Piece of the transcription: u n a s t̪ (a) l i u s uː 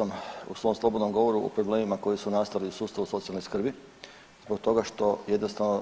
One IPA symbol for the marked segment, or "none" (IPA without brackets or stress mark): a